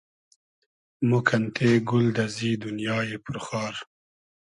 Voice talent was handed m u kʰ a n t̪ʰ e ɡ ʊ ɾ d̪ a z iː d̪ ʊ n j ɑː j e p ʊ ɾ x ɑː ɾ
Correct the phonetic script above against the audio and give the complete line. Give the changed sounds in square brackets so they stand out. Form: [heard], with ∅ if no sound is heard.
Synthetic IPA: m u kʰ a n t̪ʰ e ɡ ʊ [l] d̪ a z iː d̪ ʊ n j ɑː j e p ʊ ɾ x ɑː ɾ